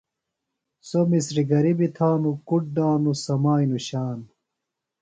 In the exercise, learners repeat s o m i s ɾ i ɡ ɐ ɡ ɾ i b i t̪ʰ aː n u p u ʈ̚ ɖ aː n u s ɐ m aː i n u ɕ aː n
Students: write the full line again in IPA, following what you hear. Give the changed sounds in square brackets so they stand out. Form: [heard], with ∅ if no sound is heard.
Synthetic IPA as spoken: s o m i s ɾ i ɡ ɐ [∅] ɾ i b i t̪ʰ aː n u [k] u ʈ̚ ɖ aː n u s ɐ m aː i n u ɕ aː n